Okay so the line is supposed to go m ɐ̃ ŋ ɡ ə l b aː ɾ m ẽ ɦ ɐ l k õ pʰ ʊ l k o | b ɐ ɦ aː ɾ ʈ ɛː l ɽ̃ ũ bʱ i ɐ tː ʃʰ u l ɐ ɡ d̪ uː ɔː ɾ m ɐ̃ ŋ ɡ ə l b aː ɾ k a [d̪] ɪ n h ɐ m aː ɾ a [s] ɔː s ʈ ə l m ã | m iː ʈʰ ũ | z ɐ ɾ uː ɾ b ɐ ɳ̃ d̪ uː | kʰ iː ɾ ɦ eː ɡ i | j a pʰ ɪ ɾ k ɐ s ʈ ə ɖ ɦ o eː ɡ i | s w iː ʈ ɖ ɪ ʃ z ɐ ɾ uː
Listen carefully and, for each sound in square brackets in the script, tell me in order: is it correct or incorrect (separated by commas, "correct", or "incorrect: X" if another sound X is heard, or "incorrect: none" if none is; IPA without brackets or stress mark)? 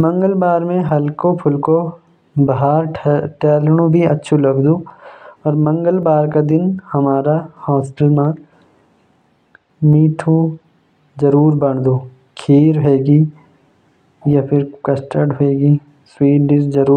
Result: correct, incorrect: h